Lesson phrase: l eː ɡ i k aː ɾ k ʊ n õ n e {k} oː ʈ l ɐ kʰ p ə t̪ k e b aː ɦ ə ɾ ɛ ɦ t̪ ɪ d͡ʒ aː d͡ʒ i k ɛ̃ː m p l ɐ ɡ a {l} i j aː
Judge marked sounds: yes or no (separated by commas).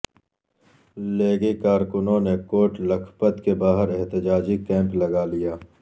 yes, yes